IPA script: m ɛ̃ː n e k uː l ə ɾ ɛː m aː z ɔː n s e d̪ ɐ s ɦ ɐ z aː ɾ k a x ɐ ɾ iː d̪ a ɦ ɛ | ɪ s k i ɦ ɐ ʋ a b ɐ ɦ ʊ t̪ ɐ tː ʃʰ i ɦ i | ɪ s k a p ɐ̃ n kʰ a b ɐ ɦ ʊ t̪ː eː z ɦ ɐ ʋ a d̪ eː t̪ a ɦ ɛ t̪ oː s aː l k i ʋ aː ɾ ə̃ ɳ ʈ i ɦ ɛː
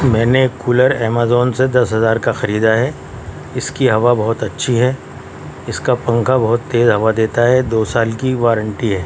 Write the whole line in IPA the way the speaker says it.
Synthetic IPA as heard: m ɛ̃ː n e k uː l ə ɾ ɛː m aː z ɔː n s e d̪ ɐ s ɦ ɐ z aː ɾ k a x ɐ ɾ iː d̪ a ɦ ɛ | ɪ s k i ɦ ɐ ʋ a b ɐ ɦ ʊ t̪ ɐ tː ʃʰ i ɦ ɛ | ɪ s k a p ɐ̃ ŋ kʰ a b ɐ ɦ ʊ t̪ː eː z ɦ ɐ ʋ a d̪ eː t̪ a ɦ ɛ d̪ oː s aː l k i ʋ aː ɾ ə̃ ɳ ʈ i ɦ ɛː